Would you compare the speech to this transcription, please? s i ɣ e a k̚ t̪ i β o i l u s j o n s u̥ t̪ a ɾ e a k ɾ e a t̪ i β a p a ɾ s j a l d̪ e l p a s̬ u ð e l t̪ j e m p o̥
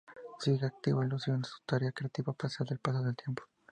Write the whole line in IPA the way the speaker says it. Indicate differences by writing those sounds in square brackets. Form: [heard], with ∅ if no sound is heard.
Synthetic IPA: s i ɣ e a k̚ t̪ i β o i l u s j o n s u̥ t̪ a ɾ e a k ɾ e a t̪ i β a p a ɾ s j a l d̪ e l p a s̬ [o] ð e l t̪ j e m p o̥